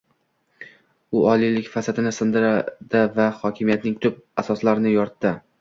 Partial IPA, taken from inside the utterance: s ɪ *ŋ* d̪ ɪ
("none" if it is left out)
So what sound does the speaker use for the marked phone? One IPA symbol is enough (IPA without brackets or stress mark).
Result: n